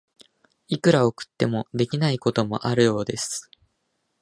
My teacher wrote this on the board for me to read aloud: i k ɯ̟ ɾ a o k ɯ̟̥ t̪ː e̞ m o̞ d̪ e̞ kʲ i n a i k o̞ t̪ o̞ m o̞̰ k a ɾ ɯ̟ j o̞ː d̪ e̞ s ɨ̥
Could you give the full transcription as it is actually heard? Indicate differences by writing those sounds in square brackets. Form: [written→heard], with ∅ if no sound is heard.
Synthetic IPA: i k ɯ̟ ɾ a o k ɯ̟̥ t̪ː e̞ m o̞ d̪ e̞ kʲ i n a i k o̞ t̪ o̞ m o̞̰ [k→ʔ] a ɾ ɯ̟ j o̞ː d̪ e̞ s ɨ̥